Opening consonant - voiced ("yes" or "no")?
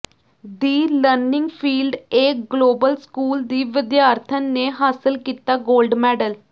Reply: yes